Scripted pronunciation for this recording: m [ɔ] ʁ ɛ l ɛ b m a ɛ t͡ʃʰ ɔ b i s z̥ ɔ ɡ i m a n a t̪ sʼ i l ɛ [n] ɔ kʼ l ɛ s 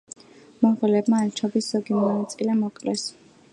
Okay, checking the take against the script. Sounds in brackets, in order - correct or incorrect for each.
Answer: correct, incorrect: m

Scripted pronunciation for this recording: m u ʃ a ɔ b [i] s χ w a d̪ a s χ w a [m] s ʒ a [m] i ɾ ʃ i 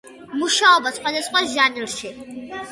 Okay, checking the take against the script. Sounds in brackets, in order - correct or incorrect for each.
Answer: incorrect: a, incorrect: none, incorrect: n

